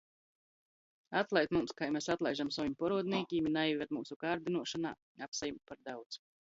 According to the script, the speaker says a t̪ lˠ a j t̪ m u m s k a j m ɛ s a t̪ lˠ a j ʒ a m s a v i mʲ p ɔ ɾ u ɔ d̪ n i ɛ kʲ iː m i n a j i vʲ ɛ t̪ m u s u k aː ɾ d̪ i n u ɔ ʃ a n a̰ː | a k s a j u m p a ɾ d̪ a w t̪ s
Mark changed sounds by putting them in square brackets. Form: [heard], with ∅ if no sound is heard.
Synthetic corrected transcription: a t̪ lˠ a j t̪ m u m s k a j m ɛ s a t̪ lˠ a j ʒ a m s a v i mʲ p ɔ ɾ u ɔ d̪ n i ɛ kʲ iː m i n a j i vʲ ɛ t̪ m [uː] s u k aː ɾ d̪ i n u ɔ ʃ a n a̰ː | a [p] s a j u m p a ɾ d̪ a w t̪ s